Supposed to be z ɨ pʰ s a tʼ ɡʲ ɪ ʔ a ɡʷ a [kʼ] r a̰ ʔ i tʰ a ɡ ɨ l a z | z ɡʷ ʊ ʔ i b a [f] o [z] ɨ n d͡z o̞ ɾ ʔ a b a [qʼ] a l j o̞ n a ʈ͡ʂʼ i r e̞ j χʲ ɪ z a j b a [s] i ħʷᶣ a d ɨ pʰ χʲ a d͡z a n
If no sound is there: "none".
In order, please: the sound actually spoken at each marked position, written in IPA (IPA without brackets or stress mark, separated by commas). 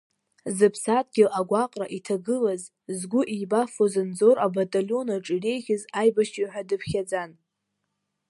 qʼ, f, z, tʼ, ʃ